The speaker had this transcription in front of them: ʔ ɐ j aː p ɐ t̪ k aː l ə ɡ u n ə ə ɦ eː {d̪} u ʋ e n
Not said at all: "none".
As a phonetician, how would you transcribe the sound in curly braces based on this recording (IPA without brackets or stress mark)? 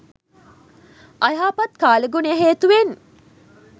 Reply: t̪